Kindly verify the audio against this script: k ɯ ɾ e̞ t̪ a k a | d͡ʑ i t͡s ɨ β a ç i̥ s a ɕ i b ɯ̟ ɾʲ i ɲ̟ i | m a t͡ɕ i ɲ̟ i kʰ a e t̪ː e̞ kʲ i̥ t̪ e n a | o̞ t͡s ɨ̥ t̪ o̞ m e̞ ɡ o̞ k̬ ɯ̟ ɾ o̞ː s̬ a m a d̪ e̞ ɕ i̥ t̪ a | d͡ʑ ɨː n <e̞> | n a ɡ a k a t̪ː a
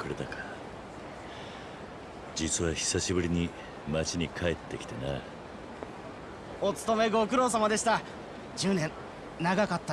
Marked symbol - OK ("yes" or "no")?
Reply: no